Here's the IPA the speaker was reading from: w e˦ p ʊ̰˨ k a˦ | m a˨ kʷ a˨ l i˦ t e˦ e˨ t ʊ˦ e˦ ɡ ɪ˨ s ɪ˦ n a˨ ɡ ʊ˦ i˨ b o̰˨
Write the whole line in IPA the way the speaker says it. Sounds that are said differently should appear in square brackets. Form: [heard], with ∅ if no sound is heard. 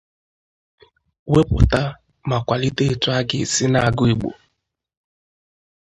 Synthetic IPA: w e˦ p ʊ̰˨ [t] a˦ | m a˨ kʷ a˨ l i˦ t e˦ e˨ t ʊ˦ [a˦] ɡ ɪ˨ s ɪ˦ n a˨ ɡ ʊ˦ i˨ [ɡ͡b] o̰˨